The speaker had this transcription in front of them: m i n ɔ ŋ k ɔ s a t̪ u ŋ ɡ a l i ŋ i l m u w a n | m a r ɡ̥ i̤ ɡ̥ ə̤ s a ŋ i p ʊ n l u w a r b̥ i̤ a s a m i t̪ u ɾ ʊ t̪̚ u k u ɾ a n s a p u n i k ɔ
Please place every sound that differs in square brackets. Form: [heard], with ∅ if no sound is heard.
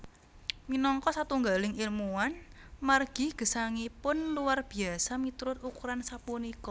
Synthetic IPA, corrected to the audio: m i n ɔ ŋ k ɔ s a t̪ u ŋ ɡ a l [ɪ] ŋ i l m u w a n | m a r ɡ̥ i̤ ɡ̥ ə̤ s a ŋ i p ʊ n l u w a r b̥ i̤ a s a m i t̪ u ɾ ʊ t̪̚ u k u ɾ a n s a p u n i k ɔ